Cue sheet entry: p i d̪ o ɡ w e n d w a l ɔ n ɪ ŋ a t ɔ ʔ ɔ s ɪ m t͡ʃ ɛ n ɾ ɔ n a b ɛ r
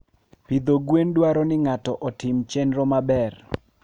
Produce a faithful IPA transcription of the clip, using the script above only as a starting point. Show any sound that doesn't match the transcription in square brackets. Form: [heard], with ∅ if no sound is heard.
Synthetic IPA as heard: p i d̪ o ɡ w e n d w a [ɾ] ɔ n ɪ ŋ a t ɔ ʔ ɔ [t] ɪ m t͡ʃ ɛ n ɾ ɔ [m] a b ɛ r